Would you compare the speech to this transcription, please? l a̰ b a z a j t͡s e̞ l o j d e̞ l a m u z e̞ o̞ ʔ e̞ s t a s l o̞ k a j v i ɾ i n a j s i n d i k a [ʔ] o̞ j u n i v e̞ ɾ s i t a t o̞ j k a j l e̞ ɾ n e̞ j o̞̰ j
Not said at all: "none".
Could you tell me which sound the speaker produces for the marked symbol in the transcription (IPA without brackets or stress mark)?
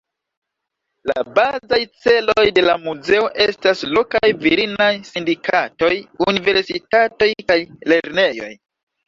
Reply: t